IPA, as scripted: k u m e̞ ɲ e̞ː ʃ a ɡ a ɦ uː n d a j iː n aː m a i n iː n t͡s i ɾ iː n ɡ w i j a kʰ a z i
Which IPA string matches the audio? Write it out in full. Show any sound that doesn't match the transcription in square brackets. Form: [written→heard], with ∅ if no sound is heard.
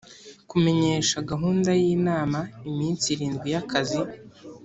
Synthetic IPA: k u m e̞ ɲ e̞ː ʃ a ɡ a ɦ uː n d a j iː n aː m a i [n→m] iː n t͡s i ɾ iː n ɡ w i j a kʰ a z i